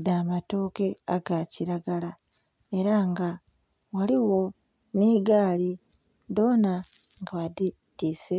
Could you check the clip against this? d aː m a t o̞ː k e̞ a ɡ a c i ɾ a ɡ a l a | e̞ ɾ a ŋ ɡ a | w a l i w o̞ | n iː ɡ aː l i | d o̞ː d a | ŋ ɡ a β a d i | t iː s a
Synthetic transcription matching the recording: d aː m a t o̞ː k e̞ a ɡ a c i ɾ a ɡ a l a | e̞ ɾ a ŋ ɡ a | w a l i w o̞ | n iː ɡ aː l i | d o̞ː n a | ŋ ɡ a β a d i | t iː s e